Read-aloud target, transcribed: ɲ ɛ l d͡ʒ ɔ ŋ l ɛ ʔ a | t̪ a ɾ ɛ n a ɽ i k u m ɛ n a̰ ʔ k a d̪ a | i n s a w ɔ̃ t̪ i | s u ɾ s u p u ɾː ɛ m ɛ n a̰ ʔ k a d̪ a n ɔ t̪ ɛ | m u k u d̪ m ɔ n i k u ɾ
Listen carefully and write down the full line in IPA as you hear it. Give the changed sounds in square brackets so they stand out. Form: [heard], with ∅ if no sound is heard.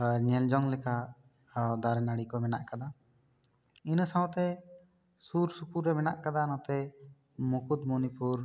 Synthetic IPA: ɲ ɛ l d͡ʒ ɔ ŋ l ɛ [k] a | [d̪] a ɾ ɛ n a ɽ i k [ɔ] m ɛ n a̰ ʔ k a d̪ a | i n s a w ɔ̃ t̪ [ɛ] | s u ɾ s u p u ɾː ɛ m ɛ n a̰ ʔ k a d̪ a n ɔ t̪ ɛ | m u k u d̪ m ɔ n i [p] u ɾ